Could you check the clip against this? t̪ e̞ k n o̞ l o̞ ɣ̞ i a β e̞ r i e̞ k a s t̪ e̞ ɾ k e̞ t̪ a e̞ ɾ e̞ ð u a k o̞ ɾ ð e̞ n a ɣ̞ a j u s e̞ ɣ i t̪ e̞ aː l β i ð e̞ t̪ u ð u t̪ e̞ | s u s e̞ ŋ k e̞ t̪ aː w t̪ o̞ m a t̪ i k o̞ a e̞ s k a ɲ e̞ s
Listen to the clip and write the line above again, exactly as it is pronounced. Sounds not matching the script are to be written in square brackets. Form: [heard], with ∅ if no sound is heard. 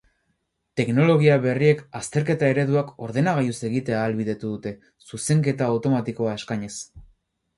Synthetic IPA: t̪ e̞ k n o̞ l o̞ ɣ̞ i a β e̞ r i e̞ k a s t̪ e̞ ɾ k e̞ t̪ a e̞ ɾ e̞ ð u a k o̞ ɾ ð e̞ n a ɣ̞ a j u s e̞ ɣ i t̪ e̞ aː l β i ð e̞ t̪ u ð u t̪ e̞ | s u s e̞ ŋ k e̞ t̪ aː w t̪ o̞ m a t̪ i k o̞ a e̞ s k a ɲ e̞ s